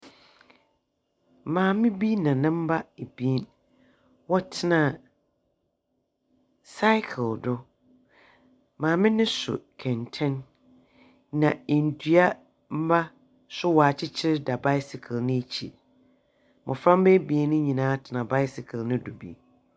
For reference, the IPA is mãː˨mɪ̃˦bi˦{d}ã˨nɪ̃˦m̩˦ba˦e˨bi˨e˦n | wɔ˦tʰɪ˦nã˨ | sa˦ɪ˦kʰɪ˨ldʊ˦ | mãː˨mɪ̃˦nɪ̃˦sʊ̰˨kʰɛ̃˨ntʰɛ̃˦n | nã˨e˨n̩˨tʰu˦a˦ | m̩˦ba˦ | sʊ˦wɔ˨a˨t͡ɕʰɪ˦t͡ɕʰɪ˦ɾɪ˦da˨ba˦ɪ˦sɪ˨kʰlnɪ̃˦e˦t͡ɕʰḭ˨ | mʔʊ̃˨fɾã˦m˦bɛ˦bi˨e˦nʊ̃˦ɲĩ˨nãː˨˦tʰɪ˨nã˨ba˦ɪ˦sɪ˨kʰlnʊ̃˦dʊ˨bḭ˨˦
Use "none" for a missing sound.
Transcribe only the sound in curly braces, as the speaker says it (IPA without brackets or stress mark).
n